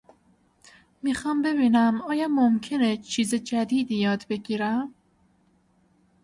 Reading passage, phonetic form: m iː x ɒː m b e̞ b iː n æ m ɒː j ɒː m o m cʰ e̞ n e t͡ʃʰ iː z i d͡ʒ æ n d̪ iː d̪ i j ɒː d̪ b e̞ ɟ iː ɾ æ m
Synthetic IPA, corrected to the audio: m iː x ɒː m b e̞ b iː n æ m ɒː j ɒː m o m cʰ e̞ n e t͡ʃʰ iː z e d͡ʒ æ d̪ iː d̪ i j ɒː d̪ b e̞ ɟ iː ɾ æ m

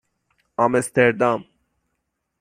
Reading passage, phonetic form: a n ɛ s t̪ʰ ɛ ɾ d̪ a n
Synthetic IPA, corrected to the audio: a m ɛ s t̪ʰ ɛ ɾ d̪ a m

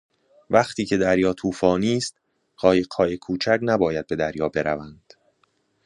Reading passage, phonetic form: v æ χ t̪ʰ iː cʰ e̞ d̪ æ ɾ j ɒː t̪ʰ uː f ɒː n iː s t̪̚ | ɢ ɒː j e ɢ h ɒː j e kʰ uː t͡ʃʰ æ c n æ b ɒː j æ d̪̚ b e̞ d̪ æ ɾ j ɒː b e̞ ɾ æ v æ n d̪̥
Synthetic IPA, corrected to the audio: v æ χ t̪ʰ iː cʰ e̞ d̪ æ ɾ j ɒː t̪ʰ uː f ɒː n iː s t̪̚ | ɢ ɒː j e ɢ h ɒː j e kʰ uː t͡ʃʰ æ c n æ b ɒː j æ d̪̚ b e̞ d̪ æ ɾ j ɒː b e̞ ɾ æ v æ n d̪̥

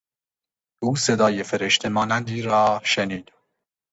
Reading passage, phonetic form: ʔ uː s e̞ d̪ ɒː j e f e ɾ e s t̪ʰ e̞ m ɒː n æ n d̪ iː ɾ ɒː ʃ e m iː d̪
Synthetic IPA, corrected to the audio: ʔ uː s e̞ d̪ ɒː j e f e ɾ e ʃ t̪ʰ e̞ m ɒː n æ n d̪ iː ɾ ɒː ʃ e n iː d̪

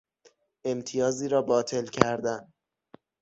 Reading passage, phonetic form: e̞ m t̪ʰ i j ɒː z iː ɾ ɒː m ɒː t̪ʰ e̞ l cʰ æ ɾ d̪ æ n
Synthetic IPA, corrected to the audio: e̞ m t̪ʰ i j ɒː z iː ɾ ɒː b ɒː t̪ʰ e̞ l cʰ æ ɾ d̪ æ n

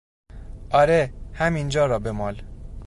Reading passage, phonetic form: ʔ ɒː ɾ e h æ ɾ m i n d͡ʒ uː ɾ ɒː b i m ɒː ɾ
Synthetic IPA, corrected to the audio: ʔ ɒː ɾ e h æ m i n d͡ʒ ɒː ɾ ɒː b e m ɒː l

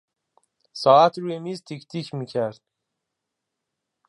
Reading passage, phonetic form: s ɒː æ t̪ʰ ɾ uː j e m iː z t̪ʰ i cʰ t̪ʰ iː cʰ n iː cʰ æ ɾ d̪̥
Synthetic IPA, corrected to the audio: s ɒː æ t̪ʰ ɾ uː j e m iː z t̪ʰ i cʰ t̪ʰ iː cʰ m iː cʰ æ ɾ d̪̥

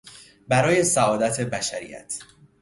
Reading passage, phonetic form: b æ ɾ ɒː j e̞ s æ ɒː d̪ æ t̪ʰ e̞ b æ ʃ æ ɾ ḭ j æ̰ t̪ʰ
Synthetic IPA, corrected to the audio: b æ ɾ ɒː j e̞ s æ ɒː d̪ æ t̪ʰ e̞ b æ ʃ æ ɾ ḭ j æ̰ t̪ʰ

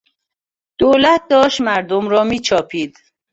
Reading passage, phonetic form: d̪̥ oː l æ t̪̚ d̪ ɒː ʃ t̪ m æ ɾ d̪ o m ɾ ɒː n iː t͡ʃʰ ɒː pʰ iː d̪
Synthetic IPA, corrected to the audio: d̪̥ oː l æ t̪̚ d̪ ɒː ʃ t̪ m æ ɾ d̪ o m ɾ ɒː m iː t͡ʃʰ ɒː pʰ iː d̪

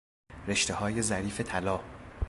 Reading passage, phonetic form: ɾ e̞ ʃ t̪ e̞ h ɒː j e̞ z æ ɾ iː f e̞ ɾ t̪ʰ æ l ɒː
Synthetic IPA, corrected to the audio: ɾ e̞ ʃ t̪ e̞ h ɒː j e̞ z æ ɾ iː f e̞ t̪ʰ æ l ɒː

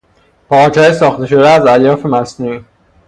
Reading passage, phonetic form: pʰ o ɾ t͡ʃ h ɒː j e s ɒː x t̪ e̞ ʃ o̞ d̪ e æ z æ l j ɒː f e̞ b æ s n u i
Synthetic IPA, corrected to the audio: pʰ ɒ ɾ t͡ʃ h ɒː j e s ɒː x t̪ e̞ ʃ o̞ d̪ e æ z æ l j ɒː f e̞ m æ s n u i

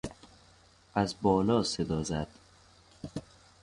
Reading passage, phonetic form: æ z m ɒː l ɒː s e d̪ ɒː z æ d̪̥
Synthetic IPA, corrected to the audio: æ z b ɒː l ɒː s e d̪ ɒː z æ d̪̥

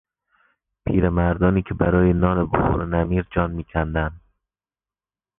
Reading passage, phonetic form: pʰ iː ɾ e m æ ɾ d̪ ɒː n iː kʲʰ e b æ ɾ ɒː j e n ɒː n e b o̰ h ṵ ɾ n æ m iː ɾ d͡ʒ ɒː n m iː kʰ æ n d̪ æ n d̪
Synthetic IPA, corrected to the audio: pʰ iː ɾ e m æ ɾ d̪ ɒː n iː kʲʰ e b æ ɾ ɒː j e n ɒː n e b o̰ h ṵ ɾ n æ m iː ɾ d͡ʒ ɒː n m iː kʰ æ n d̪ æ n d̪

